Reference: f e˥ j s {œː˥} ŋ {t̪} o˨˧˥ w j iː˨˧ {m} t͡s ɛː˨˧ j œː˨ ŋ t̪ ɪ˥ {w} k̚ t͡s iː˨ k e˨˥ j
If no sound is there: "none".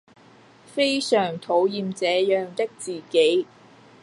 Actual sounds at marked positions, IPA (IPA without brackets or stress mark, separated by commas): œː˨˩, t̪ʰ, m, none